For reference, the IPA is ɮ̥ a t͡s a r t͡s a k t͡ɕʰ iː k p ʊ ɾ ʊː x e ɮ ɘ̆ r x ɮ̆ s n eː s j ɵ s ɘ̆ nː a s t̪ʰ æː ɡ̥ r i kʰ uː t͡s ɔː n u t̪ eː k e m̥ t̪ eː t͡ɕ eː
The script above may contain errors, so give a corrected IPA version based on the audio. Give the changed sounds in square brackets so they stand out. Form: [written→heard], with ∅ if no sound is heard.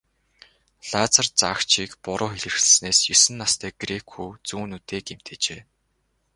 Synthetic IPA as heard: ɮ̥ a t͡s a r t͡s a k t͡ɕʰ iː k p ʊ ɾ ʊː x e ɮ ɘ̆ r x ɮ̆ s n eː s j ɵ s ɘ̆ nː a s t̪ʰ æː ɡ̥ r [i→e] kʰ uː t͡s [ɔː→uː] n u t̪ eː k e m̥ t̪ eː t͡ɕ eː